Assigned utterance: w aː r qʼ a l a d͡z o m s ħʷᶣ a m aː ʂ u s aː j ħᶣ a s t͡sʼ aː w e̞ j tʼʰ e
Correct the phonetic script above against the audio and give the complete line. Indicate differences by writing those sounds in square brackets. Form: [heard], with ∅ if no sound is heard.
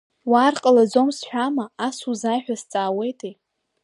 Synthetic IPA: w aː r qʼ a l a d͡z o m s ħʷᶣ a m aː [s] u [z] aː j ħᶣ a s t͡sʼ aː w e̞ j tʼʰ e